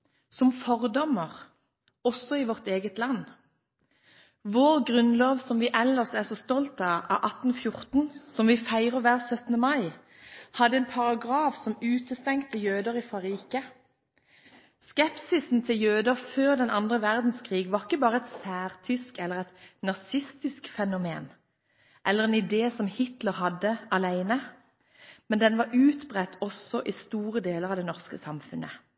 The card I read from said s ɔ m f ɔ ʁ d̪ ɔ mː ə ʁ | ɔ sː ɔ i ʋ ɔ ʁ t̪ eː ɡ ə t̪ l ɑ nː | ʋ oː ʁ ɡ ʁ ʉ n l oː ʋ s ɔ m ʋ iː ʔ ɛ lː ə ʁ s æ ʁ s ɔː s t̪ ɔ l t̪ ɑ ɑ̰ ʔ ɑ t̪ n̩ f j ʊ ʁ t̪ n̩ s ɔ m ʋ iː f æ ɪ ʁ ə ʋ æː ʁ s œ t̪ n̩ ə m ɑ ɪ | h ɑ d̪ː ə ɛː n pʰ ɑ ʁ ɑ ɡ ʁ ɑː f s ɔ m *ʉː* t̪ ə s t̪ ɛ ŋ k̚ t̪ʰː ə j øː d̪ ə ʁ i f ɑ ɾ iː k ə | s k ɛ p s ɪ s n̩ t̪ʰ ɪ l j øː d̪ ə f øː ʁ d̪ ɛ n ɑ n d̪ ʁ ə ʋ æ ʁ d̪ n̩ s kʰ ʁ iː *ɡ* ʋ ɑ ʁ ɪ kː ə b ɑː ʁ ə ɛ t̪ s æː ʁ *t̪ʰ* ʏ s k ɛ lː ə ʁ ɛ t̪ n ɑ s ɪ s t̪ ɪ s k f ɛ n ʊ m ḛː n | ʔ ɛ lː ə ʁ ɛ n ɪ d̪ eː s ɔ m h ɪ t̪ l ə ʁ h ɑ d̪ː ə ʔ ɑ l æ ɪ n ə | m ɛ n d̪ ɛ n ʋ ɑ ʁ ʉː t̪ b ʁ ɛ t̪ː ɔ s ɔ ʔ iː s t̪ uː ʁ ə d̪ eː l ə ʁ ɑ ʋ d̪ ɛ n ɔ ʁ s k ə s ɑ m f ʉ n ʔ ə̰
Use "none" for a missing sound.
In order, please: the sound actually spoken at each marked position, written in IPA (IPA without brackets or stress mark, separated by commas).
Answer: ʉː, ɡ, t̪ʰ